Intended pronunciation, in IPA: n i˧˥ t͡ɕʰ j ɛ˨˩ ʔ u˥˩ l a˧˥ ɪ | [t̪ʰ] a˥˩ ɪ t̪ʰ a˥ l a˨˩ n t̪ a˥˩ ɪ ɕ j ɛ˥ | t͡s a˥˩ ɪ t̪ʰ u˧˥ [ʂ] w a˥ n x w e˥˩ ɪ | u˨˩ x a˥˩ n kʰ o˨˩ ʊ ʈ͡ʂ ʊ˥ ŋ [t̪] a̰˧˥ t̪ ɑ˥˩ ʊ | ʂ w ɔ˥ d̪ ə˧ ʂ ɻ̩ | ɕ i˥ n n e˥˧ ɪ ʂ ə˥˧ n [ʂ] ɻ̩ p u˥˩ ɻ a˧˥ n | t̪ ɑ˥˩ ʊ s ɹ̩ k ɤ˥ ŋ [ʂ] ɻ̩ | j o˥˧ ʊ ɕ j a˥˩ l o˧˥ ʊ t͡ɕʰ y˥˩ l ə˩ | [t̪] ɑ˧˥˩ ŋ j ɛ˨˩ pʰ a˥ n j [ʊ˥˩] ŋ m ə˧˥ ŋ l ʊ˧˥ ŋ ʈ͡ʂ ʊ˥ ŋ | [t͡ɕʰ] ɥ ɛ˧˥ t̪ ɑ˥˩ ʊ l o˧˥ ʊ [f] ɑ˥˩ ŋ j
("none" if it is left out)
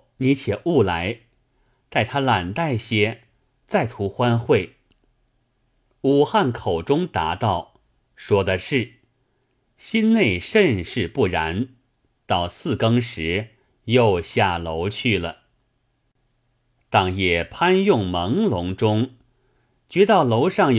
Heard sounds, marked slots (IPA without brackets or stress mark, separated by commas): t̪, x, t̪, ʂ, ʂ, t̪, ʊ˥˩, t͡ɕ, ʂ